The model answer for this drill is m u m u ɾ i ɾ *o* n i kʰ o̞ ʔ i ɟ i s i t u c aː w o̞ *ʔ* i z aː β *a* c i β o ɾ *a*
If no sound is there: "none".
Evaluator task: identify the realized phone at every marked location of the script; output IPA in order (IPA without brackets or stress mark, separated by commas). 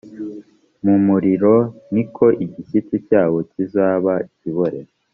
o, c, a, e